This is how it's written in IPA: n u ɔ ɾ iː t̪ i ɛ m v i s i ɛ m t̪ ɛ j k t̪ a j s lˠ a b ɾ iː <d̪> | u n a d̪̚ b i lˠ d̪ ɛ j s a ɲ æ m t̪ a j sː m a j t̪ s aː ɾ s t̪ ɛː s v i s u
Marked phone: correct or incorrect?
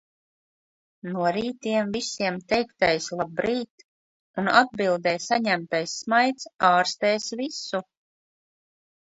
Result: incorrect